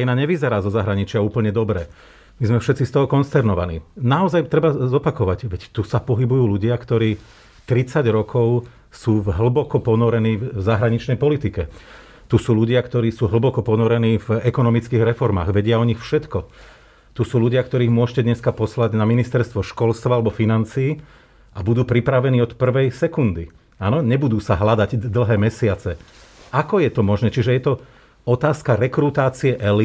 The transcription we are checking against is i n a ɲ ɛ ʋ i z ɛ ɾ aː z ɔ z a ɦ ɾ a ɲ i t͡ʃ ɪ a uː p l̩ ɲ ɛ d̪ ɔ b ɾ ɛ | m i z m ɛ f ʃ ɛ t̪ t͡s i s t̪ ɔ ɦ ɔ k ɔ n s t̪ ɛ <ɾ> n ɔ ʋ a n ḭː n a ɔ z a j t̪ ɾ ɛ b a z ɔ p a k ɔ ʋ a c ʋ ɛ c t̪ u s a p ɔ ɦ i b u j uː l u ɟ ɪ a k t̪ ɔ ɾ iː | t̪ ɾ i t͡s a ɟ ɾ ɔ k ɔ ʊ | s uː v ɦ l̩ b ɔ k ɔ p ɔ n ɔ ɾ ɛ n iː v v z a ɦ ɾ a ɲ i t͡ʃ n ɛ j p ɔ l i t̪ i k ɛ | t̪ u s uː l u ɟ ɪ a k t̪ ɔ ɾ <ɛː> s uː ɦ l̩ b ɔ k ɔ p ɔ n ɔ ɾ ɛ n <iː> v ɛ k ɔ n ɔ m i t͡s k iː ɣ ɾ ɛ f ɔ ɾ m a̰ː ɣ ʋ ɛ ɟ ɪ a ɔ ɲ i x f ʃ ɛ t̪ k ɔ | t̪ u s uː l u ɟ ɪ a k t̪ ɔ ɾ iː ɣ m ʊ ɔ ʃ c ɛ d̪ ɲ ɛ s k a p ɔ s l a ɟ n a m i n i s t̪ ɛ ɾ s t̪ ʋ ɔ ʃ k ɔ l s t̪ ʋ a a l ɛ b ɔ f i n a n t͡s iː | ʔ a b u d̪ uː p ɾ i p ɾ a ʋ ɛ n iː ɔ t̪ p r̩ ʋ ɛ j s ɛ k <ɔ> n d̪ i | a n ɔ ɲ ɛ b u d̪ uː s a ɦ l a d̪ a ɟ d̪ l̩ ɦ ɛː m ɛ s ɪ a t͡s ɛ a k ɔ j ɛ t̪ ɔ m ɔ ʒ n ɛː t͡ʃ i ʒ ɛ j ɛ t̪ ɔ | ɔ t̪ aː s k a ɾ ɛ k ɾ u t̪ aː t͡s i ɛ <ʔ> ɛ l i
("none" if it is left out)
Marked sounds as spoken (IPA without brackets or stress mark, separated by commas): ɾ, iː, iː, u, ʔ